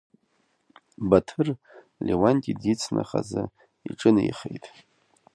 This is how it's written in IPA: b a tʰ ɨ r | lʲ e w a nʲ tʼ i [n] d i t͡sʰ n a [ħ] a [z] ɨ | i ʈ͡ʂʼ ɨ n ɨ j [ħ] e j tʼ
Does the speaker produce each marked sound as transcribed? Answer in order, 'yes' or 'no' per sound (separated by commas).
no, no, yes, no